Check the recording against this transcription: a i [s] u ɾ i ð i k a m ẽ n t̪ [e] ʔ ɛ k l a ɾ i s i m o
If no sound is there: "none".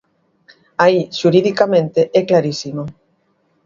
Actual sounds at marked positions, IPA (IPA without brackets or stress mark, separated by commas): ʃ, e